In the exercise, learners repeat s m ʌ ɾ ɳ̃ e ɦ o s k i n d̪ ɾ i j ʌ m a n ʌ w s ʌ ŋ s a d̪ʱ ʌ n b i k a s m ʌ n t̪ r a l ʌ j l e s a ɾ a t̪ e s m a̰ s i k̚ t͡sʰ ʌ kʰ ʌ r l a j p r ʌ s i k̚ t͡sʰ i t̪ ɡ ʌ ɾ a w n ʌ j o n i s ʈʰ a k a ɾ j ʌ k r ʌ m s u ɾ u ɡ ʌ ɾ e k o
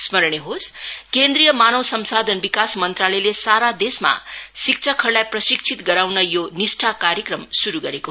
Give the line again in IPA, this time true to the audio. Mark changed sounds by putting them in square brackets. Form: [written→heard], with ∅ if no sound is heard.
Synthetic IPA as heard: s m ʌ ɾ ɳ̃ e ɦ o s k [i→e] n d̪ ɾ i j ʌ m a n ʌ w s ʌ [ŋ→m] s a d̪ʱ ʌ n b i k a s m ʌ n t̪ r a l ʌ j l e s a ɾ a [t̪→d̪] e s m a̰ s i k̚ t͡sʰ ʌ kʰ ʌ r l a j p r ʌ s i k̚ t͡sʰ i t̪ ɡ ʌ ɾ a w n ʌ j o n i s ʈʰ a k a ɾ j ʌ k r ʌ m s u ɾ u ɡ ʌ ɾ e k o